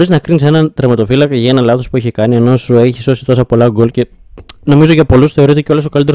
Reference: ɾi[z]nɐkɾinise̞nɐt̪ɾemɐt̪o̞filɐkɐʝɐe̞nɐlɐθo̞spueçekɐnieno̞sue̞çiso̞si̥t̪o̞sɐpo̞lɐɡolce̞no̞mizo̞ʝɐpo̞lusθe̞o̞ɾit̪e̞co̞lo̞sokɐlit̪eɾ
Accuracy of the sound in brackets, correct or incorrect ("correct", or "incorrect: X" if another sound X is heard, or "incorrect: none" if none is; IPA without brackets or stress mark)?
correct